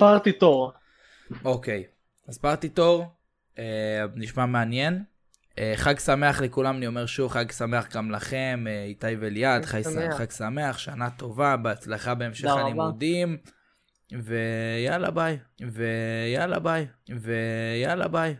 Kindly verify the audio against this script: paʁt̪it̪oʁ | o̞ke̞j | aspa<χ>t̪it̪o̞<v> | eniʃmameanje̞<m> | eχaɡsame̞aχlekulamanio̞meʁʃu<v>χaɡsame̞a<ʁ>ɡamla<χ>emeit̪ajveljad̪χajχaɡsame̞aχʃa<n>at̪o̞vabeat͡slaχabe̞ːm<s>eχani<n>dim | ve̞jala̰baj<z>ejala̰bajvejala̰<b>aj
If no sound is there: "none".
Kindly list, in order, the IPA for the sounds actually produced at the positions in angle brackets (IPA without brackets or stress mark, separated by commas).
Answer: ʁ, ʁ, n, v, χ, χ, n, ʃ, m, v, b